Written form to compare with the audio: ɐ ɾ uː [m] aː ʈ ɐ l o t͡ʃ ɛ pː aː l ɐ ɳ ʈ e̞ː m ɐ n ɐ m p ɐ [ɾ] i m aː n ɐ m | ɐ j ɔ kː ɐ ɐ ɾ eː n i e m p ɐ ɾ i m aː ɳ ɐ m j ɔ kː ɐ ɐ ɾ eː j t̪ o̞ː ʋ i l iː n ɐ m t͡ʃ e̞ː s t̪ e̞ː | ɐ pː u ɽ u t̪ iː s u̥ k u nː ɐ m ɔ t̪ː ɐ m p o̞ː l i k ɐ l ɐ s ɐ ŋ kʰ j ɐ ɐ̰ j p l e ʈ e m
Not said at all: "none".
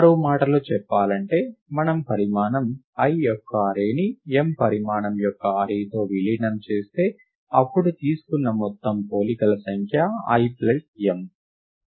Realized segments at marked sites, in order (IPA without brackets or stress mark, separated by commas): m, ɾ